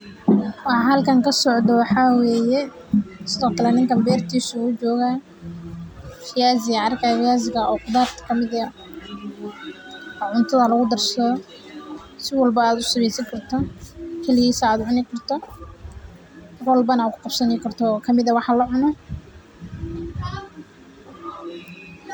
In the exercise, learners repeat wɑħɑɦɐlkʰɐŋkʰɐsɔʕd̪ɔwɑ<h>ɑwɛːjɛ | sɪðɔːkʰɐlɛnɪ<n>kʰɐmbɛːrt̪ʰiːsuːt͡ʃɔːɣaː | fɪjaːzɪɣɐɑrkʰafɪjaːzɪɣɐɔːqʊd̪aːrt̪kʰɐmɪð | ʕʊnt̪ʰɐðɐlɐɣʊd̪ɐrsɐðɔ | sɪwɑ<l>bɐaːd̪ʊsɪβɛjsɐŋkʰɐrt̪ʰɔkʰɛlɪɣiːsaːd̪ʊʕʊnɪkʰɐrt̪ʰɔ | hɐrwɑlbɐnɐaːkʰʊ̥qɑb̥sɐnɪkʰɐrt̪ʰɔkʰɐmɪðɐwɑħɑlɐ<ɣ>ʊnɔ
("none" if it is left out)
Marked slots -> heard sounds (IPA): ħ, ŋ, l, ʕ

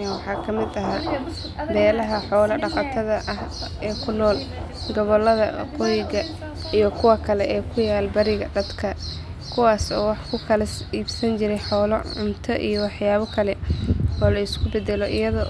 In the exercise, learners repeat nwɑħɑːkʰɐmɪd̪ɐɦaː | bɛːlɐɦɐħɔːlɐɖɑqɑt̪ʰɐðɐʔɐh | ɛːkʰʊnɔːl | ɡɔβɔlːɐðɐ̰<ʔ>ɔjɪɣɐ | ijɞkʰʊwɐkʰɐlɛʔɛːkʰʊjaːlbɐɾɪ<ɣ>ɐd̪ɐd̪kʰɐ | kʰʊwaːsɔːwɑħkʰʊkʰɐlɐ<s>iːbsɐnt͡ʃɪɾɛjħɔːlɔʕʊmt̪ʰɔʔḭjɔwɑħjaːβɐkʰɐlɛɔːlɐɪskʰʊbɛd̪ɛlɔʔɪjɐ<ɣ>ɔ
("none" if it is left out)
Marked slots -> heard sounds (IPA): q, ɣ, s, ð

